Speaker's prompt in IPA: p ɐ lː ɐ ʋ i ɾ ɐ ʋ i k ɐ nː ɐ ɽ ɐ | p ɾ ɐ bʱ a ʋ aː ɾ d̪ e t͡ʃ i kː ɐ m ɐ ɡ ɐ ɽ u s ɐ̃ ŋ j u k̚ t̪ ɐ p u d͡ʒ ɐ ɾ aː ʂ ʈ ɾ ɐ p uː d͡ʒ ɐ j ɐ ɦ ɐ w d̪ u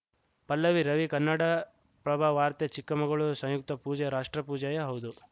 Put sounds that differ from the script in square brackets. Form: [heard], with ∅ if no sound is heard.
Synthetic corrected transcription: p ɐ lː ɐ ʋ i ɾ ɐ ʋ i k ɐ nː ɐ ɽ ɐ | p ɾ ɐ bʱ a ʋ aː ɾ [t̪] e t͡ʃ i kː ɐ m ɐ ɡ ɐ [ɭ] u s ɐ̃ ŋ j u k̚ t̪ ɐ p [uː] d͡ʒ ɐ ɾ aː ʂ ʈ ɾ ɐ p uː d͡ʒ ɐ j ɐ ɦ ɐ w d̪ u

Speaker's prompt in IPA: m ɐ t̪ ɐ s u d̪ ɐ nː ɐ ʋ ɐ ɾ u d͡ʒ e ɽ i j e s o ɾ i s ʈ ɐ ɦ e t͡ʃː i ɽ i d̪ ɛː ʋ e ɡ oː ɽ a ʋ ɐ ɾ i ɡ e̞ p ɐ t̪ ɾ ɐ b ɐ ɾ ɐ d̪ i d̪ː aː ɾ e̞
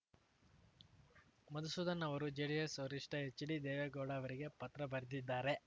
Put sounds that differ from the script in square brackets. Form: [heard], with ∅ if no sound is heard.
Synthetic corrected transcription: m ɐ [d̪] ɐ s u d̪ ɐ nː ɐ ʋ ɐ ɾ u d͡ʒ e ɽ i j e s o ɾ i [ʂ] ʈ ɐ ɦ e t͡ʃː i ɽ i d̪ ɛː ʋ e ɡ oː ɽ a ʋ ɐ ɾ i ɡ e̞ p ɐ t̪ ɾ ɐ b ɐ ɾ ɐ d̪ i d̪ː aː ɾ e̞

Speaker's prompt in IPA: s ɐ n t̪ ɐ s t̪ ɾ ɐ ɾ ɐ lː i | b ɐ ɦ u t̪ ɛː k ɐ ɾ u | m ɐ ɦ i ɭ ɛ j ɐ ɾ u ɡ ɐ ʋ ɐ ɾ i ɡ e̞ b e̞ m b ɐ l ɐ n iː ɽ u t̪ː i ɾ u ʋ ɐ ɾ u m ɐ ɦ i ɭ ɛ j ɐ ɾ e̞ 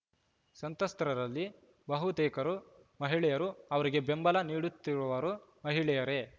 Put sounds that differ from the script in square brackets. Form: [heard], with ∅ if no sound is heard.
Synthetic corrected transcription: s ɐ n t̪ ɐ s t̪ ɾ ɐ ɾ ɐ lː i | b ɐ ɦ u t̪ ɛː k ɐ ɾ u | m ɐ ɦ i ɭ ɛ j ɐ ɾ u [∅] ɐ ʋ ɐ ɾ i ɡ e̞ b e̞ m b ɐ l ɐ n iː ɽ u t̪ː i ɾ u ʋ ɐ ɾ u m ɐ ɦ i ɭ ɛ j ɐ ɾ e̞

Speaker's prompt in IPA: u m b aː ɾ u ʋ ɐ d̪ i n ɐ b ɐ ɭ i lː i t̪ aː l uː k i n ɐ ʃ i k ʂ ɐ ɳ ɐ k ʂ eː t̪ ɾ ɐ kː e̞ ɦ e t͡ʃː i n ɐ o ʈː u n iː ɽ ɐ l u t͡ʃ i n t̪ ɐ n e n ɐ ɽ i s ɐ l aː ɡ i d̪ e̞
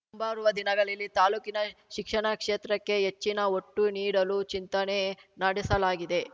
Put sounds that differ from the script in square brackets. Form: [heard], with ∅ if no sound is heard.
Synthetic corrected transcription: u m b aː ɾ u ʋ ɐ d̪ i n ɐ [ɡ] ɐ ɭ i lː i t̪ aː l uː k i n ɐ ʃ i k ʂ ɐ ɳ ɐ k ʂ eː t̪ ɾ ɐ kː e̞ ɦ e t͡ʃː i n ɐ o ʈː u n iː ɽ ɐ l u t͡ʃ i n t̪ ɐ n e n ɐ ɽ i s ɐ l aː ɡ i d̪ e̞

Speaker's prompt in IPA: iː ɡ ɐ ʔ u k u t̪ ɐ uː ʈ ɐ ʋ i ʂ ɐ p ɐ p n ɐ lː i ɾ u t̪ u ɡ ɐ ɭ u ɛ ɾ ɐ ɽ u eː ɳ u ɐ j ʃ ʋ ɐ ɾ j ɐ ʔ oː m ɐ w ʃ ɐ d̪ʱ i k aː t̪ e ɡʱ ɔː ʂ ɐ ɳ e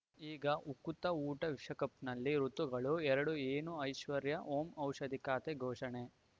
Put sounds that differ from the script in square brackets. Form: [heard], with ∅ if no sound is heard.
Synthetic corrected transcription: iː ɡ ɐ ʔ u k u t̪ ɐ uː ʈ ɐ ʋ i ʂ ɐ [k] ɐ p n ɐ lː i ɾ u t̪ u ɡ ɐ ɭ u ɛ ɾ ɐ ɽ u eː [n] u ɐ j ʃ ʋ ɐ ɾ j ɐ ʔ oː m ɐ w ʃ ɐ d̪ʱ i k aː t̪ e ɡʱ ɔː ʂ ɐ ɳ e

